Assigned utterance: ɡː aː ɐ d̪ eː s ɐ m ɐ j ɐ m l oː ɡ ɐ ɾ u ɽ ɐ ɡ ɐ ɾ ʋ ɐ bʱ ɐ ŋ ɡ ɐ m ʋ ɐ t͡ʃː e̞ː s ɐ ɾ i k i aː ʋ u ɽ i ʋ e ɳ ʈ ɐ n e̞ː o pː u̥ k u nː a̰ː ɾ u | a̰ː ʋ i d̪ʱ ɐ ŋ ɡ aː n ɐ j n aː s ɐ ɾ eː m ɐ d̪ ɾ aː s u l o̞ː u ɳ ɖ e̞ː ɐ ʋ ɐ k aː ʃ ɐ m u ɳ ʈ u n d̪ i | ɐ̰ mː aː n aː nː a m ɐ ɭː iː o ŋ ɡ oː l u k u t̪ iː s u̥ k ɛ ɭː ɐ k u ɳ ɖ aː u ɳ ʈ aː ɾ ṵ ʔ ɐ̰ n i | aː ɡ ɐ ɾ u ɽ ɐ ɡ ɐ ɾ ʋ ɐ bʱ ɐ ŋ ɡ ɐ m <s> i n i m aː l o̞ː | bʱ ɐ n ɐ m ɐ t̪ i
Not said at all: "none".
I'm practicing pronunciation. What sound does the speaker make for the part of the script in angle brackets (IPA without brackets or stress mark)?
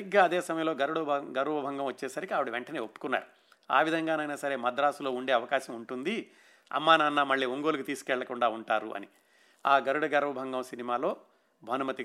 s